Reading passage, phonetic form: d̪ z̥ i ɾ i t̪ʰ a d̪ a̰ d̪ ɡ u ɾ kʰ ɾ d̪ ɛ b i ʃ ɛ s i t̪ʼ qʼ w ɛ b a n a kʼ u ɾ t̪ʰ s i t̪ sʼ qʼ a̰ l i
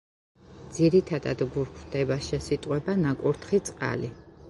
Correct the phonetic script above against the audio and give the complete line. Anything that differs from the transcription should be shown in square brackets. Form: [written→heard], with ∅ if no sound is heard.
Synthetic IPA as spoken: d̪ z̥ i ɾ i t̪ʰ a d̪ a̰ d̪ ɡ u ɾ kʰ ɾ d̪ ɛ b [i→a] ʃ ɛ s i t̪ʼ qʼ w ɛ b a n a kʼ u ɾ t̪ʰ [s→χ] i t̪ sʼ qʼ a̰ l i